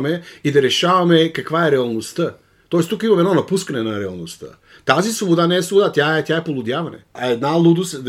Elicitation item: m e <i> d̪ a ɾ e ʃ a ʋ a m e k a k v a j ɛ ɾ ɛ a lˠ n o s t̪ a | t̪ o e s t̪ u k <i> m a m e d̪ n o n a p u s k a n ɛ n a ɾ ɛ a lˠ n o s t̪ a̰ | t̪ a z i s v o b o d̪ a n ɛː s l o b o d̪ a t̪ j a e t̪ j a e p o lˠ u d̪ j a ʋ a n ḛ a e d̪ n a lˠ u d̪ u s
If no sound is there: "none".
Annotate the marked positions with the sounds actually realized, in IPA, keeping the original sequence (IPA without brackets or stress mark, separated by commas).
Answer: i, i